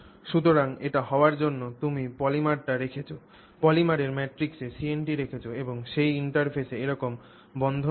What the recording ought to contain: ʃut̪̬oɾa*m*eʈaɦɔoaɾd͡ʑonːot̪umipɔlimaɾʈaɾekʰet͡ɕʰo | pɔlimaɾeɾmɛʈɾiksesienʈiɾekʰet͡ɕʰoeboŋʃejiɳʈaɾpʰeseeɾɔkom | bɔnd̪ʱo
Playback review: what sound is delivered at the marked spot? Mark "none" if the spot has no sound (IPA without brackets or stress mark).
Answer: ŋ